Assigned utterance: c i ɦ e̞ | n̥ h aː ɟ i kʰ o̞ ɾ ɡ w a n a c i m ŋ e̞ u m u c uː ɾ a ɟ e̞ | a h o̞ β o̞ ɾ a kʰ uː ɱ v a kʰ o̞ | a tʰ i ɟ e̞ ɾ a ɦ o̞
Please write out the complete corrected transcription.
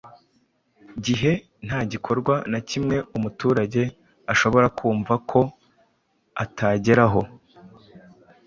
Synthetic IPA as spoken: ɟ i ɦ e̞ | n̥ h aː ɟ i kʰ o̞ ɾ ɡ w a n a c i m ŋ e̞ u m u t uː ɾ a ɟ e̞ | a ʃ o̞ β o̞ ɾ a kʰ uː ɱ v a kʰ o̞ | a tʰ a ɟ e̞ ɾ a ɦ o̞